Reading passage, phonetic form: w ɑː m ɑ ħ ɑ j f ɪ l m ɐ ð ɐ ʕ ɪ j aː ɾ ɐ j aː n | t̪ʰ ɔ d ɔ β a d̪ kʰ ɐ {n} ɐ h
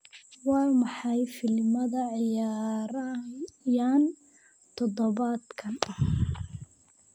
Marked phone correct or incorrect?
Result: correct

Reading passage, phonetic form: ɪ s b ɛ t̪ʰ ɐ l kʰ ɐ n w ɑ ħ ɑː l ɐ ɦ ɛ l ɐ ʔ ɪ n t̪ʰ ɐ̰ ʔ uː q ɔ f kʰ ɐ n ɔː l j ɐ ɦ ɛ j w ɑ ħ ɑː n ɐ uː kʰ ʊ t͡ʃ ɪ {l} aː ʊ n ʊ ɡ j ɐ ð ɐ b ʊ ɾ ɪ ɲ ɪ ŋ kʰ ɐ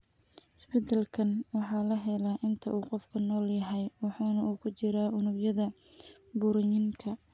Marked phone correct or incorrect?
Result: incorrect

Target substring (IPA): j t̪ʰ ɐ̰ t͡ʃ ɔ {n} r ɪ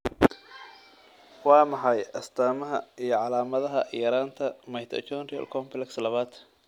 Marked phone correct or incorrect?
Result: correct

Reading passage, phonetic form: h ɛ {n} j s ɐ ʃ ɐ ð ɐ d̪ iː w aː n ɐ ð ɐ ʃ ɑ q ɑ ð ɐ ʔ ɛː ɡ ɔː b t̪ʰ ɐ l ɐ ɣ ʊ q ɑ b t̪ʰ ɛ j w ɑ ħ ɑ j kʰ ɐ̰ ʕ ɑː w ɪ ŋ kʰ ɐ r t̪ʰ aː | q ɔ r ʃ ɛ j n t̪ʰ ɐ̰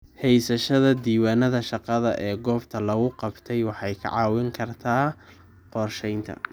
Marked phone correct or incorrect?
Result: incorrect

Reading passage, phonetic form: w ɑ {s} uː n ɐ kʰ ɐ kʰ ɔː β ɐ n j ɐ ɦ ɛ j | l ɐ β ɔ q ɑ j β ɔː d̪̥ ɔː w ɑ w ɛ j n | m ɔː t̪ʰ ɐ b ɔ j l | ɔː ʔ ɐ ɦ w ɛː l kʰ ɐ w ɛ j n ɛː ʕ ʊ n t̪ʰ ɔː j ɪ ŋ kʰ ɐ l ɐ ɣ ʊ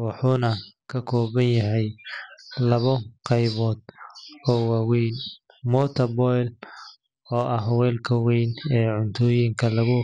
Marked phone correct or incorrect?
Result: incorrect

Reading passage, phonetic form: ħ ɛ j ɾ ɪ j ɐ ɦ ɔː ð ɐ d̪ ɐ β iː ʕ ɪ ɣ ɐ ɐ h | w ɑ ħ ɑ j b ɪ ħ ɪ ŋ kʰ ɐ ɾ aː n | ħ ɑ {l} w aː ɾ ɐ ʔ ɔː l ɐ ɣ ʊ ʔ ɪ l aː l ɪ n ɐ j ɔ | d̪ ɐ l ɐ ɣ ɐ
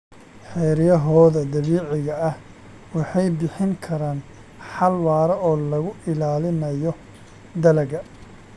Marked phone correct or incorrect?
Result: correct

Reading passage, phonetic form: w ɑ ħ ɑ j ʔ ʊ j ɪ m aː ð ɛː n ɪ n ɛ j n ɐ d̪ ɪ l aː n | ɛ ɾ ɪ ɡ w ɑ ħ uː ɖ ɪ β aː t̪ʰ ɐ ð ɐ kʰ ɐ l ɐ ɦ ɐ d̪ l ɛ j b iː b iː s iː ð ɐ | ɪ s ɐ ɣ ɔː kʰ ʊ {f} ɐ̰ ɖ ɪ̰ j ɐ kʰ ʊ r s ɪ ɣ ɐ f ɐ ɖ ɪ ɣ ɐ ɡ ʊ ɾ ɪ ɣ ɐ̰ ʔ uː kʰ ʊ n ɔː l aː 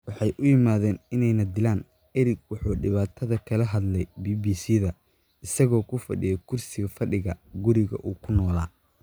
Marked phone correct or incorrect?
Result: correct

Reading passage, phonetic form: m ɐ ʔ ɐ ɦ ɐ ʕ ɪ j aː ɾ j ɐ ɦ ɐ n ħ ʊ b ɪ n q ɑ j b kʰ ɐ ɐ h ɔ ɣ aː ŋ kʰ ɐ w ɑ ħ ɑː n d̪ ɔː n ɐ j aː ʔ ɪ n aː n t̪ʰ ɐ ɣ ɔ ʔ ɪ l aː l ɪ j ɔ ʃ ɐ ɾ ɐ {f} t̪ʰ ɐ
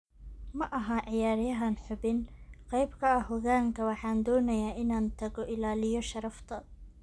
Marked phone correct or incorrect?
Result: correct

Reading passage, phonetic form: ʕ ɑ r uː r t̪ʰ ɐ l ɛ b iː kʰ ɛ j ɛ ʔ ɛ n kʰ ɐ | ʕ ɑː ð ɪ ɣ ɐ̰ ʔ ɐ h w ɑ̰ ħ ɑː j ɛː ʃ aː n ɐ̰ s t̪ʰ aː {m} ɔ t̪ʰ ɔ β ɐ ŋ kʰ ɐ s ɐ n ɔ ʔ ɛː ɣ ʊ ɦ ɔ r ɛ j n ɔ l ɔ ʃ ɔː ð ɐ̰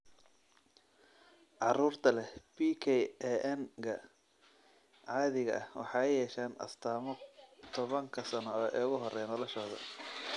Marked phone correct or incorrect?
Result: correct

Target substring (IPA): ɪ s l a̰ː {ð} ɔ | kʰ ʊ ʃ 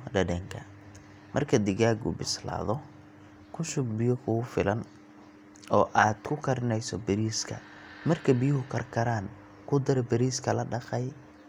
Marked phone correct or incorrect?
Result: correct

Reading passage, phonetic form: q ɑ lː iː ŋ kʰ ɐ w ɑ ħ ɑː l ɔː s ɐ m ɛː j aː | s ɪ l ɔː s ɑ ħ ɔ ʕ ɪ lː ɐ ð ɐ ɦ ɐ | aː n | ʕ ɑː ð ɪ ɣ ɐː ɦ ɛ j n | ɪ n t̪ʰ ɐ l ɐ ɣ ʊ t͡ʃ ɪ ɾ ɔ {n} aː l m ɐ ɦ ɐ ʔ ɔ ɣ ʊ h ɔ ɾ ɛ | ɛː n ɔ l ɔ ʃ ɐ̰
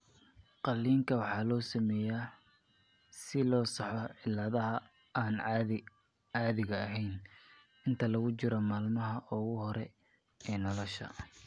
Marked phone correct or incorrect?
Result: incorrect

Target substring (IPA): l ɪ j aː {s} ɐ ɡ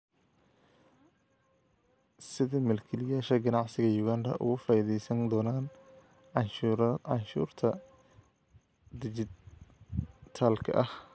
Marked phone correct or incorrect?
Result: incorrect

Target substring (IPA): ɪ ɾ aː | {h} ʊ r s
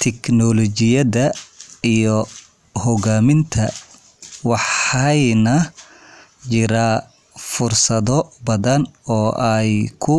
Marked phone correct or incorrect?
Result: incorrect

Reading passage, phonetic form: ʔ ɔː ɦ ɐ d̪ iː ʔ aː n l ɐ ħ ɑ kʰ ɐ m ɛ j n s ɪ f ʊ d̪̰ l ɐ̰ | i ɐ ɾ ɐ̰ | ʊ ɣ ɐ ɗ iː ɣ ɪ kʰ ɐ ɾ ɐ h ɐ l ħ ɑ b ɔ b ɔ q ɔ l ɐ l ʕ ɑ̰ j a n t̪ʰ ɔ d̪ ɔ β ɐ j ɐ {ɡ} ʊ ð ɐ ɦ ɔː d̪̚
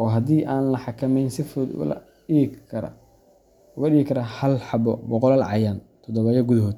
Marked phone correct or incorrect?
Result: correct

